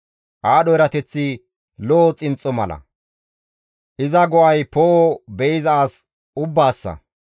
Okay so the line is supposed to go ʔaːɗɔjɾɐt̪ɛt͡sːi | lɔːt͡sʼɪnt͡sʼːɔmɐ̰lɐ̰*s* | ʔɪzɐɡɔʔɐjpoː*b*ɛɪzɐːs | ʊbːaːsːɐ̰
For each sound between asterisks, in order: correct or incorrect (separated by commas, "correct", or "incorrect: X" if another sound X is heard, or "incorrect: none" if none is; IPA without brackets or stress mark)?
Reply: incorrect: none, correct